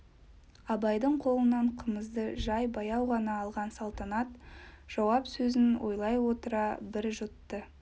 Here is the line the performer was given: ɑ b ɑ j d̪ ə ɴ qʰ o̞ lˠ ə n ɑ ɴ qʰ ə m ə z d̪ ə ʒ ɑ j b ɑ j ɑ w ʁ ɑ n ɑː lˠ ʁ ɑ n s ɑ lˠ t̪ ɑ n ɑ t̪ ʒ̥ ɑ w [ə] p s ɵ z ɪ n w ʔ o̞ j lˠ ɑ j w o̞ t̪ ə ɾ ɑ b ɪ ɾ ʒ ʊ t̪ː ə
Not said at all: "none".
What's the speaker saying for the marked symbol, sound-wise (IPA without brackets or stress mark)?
ɑ